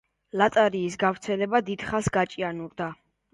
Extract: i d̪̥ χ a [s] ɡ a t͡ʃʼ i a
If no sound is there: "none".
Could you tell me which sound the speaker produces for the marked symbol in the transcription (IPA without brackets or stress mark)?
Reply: s